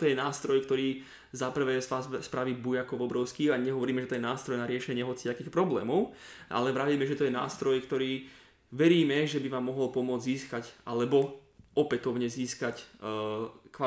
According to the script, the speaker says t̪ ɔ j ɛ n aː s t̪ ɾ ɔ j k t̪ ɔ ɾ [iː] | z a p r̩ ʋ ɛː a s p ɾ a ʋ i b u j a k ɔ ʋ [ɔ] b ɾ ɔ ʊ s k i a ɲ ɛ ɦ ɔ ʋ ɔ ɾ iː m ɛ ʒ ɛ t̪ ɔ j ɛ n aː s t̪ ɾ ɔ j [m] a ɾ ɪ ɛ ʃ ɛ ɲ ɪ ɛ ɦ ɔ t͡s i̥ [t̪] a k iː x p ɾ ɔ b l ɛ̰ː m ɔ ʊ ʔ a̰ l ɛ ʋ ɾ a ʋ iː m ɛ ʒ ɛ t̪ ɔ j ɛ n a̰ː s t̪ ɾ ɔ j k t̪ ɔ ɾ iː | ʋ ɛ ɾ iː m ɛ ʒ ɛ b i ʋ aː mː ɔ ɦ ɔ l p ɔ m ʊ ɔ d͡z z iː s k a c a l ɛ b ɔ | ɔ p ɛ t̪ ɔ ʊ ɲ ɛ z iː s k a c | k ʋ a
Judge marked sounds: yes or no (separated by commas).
yes, yes, no, yes